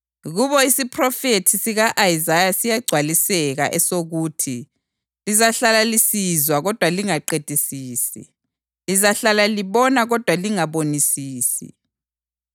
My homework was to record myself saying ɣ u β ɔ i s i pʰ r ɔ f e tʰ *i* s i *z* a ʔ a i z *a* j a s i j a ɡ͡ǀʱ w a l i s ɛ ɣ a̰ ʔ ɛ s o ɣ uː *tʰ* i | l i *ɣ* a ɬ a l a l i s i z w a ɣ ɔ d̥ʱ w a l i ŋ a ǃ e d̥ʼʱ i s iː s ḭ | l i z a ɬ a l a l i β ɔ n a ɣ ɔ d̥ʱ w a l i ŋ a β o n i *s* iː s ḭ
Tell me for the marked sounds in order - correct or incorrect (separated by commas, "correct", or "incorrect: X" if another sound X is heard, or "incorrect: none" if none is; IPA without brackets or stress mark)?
correct, incorrect: ɣ, correct, correct, incorrect: z, correct